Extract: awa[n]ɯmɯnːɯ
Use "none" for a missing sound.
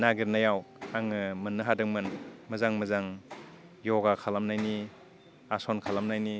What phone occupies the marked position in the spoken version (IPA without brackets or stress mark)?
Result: ŋ